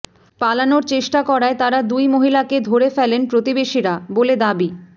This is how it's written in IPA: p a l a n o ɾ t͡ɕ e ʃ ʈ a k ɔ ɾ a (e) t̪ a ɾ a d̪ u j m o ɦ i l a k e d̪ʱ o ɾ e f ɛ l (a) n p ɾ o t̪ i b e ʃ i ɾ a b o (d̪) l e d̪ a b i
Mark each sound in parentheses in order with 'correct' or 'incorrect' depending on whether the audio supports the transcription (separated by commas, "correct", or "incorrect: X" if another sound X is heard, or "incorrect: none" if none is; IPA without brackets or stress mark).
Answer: correct, incorrect: e, incorrect: none